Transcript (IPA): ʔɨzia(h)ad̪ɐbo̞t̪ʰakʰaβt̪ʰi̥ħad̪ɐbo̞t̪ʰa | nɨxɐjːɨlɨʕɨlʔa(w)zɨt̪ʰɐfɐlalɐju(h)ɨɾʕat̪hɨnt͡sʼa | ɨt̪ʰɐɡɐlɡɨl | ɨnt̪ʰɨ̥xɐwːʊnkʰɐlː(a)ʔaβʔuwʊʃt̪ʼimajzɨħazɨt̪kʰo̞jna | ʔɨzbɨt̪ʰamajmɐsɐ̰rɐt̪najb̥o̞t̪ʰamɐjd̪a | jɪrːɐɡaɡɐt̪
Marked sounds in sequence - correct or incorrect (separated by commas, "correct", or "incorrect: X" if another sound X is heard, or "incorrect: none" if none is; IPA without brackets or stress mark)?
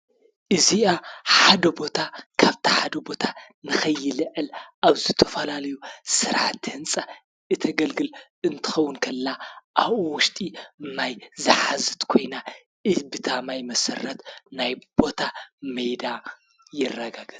incorrect: ħ, incorrect: β, incorrect: s, correct